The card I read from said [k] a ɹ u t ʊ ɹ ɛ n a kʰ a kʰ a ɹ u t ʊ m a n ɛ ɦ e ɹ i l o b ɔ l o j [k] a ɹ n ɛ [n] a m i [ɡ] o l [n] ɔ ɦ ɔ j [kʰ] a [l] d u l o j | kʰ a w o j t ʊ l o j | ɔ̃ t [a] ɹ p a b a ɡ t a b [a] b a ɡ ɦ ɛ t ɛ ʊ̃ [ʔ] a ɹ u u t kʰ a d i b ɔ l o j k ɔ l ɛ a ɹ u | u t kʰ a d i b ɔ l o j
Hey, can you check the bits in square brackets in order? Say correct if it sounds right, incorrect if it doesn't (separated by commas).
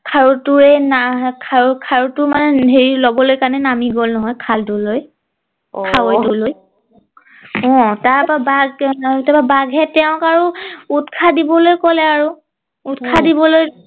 incorrect, correct, correct, correct, correct, correct, correct, correct, correct, incorrect